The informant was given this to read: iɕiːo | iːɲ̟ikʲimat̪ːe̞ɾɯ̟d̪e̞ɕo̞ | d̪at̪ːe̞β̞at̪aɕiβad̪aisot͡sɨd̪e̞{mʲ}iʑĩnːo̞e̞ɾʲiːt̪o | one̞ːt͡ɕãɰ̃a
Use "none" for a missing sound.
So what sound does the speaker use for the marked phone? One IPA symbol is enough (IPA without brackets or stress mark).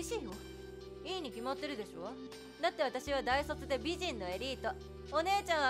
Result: bʲ